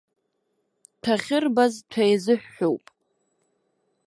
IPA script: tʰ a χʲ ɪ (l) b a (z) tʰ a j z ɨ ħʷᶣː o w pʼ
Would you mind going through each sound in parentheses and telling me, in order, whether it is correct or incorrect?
incorrect, correct

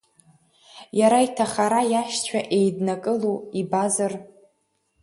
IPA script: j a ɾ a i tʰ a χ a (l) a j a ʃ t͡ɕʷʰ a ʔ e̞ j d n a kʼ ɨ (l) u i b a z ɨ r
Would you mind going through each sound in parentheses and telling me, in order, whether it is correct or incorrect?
incorrect, correct

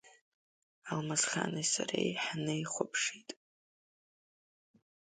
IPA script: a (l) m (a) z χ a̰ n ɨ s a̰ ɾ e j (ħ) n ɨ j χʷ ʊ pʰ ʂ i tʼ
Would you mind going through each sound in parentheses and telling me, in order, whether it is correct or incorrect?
correct, correct, correct

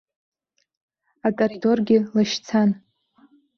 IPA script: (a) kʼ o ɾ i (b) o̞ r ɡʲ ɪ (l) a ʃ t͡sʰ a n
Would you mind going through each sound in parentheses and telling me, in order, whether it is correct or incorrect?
correct, incorrect, correct

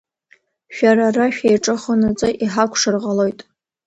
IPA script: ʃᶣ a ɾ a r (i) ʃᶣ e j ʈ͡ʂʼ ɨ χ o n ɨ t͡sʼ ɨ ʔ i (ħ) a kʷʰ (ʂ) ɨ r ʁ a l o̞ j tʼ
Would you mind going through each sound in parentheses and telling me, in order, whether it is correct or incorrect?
incorrect, correct, correct

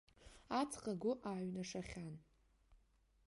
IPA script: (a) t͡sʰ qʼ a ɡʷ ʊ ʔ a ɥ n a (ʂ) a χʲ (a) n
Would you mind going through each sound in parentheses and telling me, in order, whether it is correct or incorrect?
correct, correct, correct

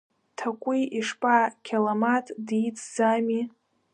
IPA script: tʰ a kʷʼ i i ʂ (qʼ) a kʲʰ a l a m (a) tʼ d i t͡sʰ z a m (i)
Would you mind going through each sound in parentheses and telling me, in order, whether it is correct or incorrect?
incorrect, correct, correct

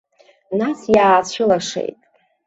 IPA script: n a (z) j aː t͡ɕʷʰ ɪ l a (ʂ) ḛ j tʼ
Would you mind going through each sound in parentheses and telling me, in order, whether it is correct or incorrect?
incorrect, correct

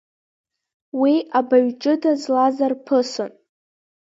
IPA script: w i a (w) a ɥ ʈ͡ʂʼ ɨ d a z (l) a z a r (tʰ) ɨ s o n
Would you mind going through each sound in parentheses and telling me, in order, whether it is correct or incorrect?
incorrect, correct, incorrect

